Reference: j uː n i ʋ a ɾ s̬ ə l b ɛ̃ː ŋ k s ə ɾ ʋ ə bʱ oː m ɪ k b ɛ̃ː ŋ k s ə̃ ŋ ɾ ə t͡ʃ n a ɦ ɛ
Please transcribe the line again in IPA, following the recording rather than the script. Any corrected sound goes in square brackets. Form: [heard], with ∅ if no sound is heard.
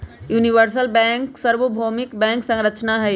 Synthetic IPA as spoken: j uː n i ʋ [ə] ɾ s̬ ə l b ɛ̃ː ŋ k s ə ɾ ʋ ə bʱ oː m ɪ k b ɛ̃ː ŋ k s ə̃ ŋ ɾ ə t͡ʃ n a ɦ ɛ